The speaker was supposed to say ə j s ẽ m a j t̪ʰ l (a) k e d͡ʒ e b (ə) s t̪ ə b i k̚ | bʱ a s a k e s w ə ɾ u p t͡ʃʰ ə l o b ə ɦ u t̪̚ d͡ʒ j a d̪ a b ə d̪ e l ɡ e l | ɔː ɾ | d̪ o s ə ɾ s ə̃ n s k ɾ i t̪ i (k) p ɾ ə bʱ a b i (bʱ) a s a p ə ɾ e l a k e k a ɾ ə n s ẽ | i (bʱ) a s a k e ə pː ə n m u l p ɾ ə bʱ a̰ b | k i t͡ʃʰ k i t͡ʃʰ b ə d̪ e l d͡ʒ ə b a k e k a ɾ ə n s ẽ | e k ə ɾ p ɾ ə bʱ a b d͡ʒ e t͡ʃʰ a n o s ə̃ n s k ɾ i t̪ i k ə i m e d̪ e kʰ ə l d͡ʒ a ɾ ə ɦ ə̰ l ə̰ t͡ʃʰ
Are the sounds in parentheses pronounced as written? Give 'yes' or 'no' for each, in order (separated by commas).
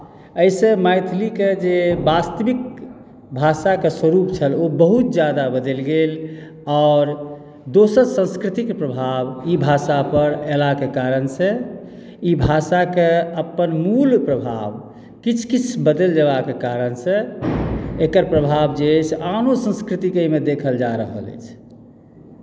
no, no, yes, yes, yes